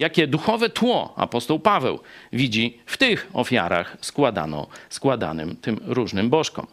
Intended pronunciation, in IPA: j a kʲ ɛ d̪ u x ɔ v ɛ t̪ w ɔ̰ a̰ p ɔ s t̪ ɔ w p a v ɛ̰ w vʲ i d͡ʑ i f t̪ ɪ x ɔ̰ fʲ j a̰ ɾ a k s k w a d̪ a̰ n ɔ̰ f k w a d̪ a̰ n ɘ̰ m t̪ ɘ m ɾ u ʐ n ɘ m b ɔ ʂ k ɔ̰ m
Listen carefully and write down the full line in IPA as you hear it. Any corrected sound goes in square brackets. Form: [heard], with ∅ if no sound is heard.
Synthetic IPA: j a kʲ ɛ d̪ u x ɔ v ɛ t̪ w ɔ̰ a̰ p ɔ s t̪ ɔ w p a v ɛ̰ w vʲ i d͡ʑ i f t̪ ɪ x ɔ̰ fʲ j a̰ ɾ a [x] s k w a d̪ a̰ n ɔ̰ [s] k w a d̪ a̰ n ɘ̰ m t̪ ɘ m ɾ u ʐ n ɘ m b ɔ ʂ k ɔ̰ m